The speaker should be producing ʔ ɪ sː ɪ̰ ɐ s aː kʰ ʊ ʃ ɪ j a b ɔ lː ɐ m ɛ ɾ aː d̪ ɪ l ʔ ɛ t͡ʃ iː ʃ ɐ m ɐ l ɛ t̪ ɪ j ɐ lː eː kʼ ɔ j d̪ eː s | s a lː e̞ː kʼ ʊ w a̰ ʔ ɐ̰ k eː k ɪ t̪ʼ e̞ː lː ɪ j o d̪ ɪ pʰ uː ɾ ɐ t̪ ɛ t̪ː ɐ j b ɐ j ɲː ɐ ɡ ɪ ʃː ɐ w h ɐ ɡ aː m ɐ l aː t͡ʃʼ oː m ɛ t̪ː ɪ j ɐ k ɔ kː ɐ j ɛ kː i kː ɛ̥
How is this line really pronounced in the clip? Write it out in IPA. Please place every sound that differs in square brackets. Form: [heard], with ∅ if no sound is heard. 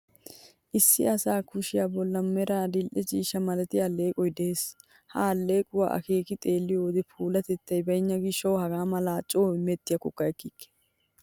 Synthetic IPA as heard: ʔ ɪ sː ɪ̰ ɐ s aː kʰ ʊ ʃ ɪ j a b ɔ lː ɐ m ɛ ɾ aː d̪ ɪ l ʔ ɛ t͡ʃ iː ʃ ɐ m ɐ l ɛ t̪ ɪ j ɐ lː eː kʼ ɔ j d̪ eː s | [h] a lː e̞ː kʼ ʊ w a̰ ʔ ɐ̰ k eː k ɪ t̪ʼ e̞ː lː ɪ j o d̪ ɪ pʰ uː [l] ɐ t̪ ɛ t̪ː ɐ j b ɐ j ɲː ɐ ɡ ɪ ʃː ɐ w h ɐ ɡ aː m ɐ l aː t͡ʃʼ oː m ɛ t̪ː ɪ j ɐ k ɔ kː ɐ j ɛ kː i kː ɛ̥